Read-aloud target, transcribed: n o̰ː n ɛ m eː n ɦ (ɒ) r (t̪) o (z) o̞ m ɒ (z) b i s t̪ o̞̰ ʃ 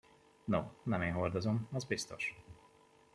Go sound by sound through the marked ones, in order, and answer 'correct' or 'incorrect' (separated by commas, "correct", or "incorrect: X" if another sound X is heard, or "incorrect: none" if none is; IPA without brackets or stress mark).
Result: incorrect: o, incorrect: d̪, correct, correct